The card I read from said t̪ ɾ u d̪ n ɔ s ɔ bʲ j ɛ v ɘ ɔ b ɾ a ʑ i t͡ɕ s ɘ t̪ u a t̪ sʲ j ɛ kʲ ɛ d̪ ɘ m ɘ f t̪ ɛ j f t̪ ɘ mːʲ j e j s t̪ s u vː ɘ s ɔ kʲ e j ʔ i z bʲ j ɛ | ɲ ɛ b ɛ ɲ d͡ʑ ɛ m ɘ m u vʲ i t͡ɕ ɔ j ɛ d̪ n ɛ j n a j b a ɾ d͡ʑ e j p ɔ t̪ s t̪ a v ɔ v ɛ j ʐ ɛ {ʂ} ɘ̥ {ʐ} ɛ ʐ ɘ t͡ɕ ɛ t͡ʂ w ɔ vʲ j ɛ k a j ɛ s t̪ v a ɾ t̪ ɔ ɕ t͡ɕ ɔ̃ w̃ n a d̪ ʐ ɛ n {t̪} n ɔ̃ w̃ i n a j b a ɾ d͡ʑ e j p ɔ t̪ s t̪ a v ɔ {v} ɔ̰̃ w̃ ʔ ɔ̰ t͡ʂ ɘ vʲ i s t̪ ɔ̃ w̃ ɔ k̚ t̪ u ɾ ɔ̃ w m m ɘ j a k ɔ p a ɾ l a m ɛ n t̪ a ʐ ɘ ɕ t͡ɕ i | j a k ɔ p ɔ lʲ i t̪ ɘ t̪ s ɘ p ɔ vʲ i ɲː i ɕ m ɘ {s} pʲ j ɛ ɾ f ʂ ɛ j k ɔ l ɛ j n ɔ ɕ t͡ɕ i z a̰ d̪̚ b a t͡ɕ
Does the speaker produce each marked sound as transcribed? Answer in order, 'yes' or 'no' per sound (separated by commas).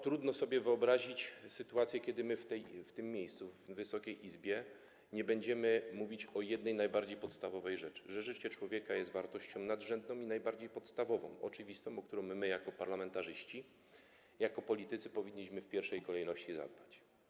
no, yes, no, yes, no